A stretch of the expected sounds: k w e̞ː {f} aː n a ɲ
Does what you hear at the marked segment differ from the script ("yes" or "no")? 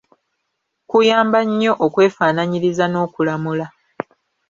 no